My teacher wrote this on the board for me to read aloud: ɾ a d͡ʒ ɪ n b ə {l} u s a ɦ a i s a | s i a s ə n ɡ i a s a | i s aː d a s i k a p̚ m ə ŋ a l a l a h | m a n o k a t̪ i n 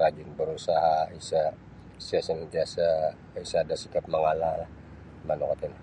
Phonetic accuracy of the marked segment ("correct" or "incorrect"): incorrect